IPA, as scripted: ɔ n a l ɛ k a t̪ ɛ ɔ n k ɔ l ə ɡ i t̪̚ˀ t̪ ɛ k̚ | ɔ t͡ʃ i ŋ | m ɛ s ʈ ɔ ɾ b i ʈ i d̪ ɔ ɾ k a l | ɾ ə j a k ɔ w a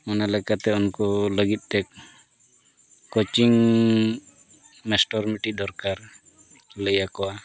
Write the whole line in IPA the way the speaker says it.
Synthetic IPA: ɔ n a l ɛ k a t̪ ɛ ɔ n k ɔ l ə ɡ i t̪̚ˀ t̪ ɛ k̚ | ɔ t͡ʃ i ŋ | m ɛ s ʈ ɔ ɾ m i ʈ i d̪ ɔ ɾ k a ɾ | l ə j a k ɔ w a

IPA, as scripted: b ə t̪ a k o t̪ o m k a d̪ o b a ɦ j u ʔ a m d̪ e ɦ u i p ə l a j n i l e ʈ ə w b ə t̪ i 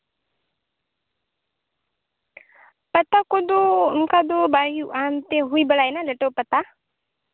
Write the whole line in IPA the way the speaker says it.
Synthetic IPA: p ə t̪ a k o d̪ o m k a d̪ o b a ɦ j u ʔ a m t̪ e ɦ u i b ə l a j n a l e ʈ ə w p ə t̪ a

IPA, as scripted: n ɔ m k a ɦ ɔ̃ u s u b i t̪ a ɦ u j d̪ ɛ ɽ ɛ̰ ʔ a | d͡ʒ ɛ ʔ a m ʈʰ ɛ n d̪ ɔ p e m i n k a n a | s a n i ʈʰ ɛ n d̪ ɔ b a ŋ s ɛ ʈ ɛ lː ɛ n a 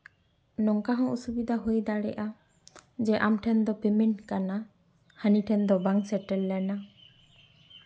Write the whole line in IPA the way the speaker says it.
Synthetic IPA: n ɔ ŋ k a ɦ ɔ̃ u s u b i d̪ a ɦ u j d̪ a ɽ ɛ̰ ʔ a | d͡ʒ ɛ ʔ a m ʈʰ ɛ n d̪ ɔ p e m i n k a n a | h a n i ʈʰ ɛ n d̪ ɔ b a ŋ s ɛ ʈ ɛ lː ɛ n a

